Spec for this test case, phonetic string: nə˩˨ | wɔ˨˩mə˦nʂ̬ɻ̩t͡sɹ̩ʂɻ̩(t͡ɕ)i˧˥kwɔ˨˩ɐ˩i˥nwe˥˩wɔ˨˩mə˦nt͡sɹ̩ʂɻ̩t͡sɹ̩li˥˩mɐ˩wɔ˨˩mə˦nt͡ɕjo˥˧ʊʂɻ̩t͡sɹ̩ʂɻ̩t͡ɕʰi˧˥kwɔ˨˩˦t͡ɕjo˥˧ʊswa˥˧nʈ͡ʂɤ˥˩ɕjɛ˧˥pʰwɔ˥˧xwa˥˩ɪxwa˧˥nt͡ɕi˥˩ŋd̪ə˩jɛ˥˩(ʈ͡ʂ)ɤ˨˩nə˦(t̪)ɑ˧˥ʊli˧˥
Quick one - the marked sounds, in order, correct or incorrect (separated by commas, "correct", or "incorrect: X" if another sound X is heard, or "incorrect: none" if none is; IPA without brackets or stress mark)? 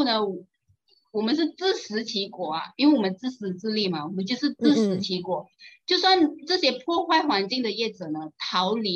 incorrect: t͡ɕʰ, correct, incorrect: t̪ʰ